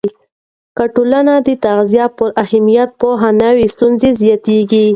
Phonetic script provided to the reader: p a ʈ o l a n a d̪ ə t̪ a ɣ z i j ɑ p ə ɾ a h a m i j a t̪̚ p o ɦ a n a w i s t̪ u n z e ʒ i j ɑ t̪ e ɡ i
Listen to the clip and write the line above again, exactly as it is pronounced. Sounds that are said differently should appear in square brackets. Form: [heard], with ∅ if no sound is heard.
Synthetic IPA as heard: [k] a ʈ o l a n a d̪ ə t̪ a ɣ z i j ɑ p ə ɾ a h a m i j a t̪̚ p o ɦ a n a w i s t̪ u n z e [z] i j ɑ t̪ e ɡ i